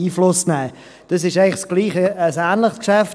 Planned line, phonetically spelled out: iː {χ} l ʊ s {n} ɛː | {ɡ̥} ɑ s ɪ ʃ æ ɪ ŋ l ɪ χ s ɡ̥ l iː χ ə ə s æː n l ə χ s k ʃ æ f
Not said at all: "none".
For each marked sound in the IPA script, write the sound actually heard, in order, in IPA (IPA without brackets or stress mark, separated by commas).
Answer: f, n, d̥